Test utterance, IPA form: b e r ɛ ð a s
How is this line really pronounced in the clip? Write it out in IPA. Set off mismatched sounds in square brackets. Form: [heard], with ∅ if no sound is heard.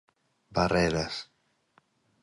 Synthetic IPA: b [a] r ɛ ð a s

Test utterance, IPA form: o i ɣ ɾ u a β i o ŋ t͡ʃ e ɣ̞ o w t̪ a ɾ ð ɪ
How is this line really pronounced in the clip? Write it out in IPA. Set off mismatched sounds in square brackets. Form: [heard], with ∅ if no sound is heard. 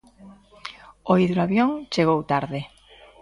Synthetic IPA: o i [ð] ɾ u a β [j] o ŋ t͡ʃ e ɣ̞ o w t̪ a ɾ ð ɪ

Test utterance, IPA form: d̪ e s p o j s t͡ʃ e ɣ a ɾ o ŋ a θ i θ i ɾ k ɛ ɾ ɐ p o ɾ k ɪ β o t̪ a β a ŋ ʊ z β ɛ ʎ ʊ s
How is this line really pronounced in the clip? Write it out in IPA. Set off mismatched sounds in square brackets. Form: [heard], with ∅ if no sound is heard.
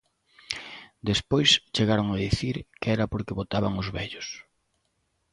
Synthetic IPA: d̪ e s p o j s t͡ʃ e ɣ a ɾ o ŋ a [ð] i θ i ɾ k ɛ ɾ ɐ p o ɾ k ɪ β o t̪ a β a ŋ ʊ z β ɛ ʎ ʊ s

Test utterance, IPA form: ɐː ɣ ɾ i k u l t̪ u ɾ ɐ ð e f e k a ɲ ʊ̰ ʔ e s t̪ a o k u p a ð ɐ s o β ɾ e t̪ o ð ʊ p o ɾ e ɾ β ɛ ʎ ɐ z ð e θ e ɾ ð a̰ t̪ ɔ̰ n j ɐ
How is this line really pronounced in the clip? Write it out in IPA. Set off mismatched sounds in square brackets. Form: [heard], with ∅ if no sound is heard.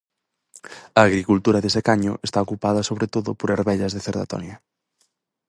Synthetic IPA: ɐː ɣ ɾ i k u l t̪ u ɾ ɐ ð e [s] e k a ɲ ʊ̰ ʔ e s t̪ a o k u p a ð ɐ s o β ɾ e t̪ o ð ʊ p o ɾ e ɾ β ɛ ʎ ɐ z ð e θ e ɾ ð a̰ t̪ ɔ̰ n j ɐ

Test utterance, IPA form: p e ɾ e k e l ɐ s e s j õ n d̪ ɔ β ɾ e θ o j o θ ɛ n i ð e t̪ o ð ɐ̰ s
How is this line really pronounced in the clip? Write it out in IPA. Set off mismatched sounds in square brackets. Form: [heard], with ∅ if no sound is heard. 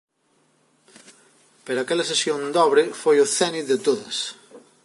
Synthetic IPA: p e ɾ [a] k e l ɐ s e s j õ n d̪ ɔ β ɾ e [f] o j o θ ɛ n i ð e t̪ o ð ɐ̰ s

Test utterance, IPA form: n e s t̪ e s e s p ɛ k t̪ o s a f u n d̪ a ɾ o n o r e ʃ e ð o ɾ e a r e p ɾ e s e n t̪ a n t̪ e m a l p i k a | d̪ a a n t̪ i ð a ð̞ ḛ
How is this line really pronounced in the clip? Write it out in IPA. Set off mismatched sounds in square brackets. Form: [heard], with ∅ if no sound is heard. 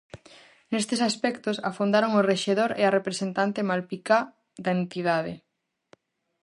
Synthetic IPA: n e s t̪ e s [a] s p ɛ k t̪ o s a f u n d̪ a ɾ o [ŋ] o r e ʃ e ð o ɾ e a r e p ɾ e s e n t̪ a n t̪ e m a l p i k a | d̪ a [e] n t̪ i ð a ð̞ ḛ

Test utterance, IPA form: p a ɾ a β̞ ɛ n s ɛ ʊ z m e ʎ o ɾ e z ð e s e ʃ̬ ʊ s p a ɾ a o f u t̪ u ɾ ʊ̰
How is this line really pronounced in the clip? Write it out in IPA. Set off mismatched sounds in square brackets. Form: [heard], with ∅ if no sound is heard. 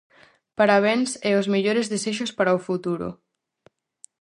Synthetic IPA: p a ɾ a β̞ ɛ n s ɛ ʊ z m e ʎ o ɾ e z ð e s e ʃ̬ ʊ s p a ɾ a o f u t̪ u ɾ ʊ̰

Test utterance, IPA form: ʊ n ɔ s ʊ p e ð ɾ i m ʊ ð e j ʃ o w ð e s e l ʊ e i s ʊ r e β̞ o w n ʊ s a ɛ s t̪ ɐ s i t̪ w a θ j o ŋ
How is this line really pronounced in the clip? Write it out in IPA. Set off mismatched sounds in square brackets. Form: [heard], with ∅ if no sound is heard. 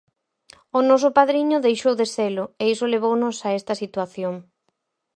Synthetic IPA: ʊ n ɔ s ʊ p [a] ð ɾ i [ɲ] ʊ ð e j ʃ o w ð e s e l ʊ e i s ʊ [l] e β̞ o w n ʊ s a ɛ s t̪ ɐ s i t̪ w a θ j o ŋ

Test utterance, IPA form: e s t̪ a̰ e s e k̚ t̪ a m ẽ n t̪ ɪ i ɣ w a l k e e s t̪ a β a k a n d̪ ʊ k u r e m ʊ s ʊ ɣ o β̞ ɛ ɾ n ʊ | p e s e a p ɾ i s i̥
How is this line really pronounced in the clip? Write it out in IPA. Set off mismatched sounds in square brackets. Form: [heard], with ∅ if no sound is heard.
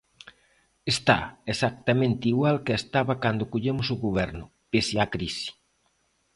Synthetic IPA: e s t̪ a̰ e s [a] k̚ t̪ a m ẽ n t̪ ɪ i ɣ w a l k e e s t̪ a β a k a n d̪ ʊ k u [ʎ] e m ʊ s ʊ ɣ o β̞ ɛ ɾ n ʊ | p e s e a [k] ɾ i s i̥

